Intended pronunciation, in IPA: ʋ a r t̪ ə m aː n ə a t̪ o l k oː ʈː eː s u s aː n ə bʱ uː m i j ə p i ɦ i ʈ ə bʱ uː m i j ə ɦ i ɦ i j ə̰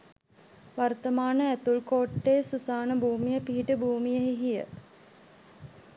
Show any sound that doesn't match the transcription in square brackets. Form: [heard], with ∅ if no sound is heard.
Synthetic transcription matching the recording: ʋ a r t̪ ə m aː n ə [æ] t̪ [u] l k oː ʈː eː s u s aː n ə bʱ uː m i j ə p i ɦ i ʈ ə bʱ uː m i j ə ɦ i ɦ i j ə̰